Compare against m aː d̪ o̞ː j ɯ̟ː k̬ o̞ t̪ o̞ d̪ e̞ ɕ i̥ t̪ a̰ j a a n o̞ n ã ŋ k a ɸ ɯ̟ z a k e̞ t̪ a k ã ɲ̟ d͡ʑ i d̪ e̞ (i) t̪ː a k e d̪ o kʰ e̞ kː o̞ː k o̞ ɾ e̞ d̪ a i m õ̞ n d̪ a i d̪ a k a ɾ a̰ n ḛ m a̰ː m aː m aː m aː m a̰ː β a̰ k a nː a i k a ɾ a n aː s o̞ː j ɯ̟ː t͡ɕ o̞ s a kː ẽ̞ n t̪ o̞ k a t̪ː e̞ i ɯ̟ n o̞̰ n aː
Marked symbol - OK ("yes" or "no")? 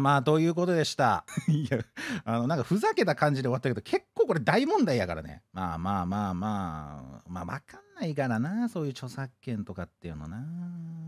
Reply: no